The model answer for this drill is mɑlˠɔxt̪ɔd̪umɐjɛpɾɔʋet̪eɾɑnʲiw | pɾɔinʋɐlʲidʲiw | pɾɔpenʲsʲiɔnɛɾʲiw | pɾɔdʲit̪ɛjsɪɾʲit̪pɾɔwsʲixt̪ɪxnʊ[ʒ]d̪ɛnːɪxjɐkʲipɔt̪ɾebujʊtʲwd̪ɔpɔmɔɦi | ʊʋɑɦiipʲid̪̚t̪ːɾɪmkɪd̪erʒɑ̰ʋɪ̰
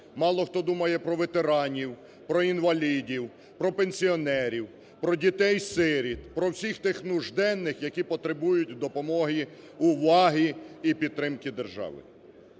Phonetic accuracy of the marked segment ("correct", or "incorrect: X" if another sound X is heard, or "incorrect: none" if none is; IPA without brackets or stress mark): correct